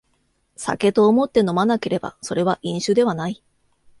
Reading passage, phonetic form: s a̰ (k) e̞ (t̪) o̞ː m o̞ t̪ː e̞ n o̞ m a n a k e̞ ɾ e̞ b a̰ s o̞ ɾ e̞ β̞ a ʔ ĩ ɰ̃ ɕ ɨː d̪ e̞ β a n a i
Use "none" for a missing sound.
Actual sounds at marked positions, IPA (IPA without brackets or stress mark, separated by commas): k, t̪